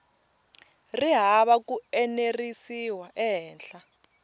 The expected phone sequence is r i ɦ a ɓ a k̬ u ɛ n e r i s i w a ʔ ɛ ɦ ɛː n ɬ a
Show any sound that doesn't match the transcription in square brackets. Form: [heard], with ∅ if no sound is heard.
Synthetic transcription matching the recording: r i ɦ a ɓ a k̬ u ɛ n e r i s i w a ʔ ɛ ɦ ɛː n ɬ a